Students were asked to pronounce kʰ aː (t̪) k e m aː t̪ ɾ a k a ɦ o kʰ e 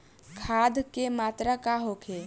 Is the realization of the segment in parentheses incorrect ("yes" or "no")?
yes